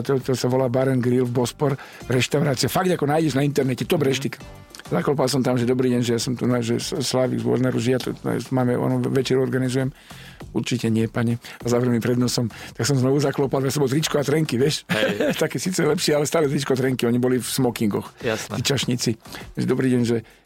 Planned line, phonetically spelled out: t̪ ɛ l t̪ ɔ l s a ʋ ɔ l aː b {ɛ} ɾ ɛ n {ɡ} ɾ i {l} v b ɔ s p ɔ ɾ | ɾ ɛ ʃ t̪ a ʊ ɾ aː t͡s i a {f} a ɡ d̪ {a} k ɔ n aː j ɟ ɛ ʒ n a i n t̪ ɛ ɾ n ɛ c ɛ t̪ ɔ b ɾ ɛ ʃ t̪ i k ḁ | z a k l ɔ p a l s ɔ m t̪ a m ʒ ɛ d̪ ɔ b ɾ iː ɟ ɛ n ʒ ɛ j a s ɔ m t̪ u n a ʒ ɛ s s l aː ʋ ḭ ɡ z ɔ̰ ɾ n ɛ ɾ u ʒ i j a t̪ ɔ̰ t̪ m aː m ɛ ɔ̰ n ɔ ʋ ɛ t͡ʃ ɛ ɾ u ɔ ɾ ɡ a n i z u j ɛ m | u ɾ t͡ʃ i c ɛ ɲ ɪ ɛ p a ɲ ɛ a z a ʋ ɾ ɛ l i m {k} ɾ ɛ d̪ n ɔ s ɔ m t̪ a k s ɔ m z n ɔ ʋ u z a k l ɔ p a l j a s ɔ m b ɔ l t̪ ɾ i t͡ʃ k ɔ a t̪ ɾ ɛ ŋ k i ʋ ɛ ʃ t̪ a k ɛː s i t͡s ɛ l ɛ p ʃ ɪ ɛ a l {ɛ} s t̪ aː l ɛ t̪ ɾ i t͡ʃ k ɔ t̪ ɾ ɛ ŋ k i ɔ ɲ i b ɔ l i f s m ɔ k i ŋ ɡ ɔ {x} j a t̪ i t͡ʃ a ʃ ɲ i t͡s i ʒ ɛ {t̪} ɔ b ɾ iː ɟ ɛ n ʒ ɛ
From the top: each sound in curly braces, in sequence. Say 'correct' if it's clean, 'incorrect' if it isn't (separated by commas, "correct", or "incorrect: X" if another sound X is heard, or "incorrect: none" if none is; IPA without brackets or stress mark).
incorrect: a, correct, correct, correct, correct, incorrect: p, correct, correct, incorrect: d̪